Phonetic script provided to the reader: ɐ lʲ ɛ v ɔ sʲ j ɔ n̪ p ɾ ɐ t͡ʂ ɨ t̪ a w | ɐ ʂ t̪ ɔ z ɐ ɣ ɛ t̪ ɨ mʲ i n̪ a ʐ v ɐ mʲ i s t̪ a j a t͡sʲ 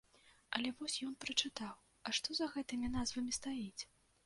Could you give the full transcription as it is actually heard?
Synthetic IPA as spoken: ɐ lʲ ɛ v ɔ sʲ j ɔ n̪ p ɾ ɐ t͡ʂ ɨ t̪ a w | ɐ ʂ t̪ ɔ z ɐ ɣ ɛ t̪ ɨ mʲ i n̪ a z v ɐ mʲ i s t̪ a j i t͡sʲ